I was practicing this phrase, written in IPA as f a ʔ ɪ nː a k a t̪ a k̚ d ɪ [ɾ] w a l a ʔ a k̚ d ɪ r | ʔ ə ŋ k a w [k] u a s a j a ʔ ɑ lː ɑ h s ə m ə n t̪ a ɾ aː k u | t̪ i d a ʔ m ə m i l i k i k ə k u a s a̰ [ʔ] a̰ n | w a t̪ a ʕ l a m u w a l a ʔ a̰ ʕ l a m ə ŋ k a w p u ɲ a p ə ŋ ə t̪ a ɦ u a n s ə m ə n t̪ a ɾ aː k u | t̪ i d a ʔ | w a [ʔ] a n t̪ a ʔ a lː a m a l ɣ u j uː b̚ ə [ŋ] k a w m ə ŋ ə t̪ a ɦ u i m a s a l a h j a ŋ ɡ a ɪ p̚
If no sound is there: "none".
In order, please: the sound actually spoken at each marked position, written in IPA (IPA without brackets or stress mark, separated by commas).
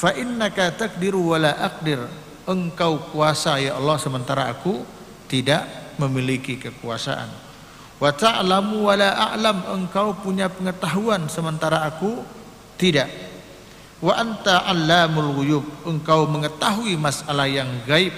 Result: ɾ, k, ʔ, ʔ, ŋ